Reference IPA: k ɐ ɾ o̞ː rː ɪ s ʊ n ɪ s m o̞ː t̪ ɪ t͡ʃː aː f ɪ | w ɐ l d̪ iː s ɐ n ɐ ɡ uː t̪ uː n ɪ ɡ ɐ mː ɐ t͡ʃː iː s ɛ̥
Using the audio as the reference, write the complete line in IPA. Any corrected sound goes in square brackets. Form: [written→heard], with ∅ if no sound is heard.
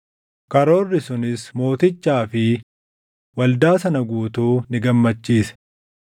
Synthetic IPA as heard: k ɐ ɾ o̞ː rː ɪ s ʊ n ɪ s m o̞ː t̪ ɪ t͡ʃː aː f ɪ | w ɐ l d̪ [iː→aː] s ɐ n ɐ ɡ uː t̪ uː n ɪ ɡ ɐ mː ɐ t͡ʃː iː s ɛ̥